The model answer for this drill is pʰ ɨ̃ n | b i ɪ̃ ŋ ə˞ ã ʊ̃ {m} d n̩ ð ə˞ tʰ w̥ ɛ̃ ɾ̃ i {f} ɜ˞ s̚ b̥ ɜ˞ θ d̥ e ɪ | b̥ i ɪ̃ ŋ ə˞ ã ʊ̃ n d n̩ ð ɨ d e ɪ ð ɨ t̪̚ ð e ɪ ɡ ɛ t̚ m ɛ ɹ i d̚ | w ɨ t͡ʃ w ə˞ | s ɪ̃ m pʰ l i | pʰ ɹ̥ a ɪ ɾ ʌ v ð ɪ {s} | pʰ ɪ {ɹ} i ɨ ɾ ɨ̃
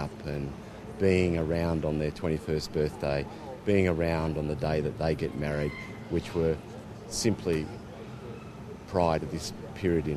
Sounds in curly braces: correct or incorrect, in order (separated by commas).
incorrect, correct, correct, correct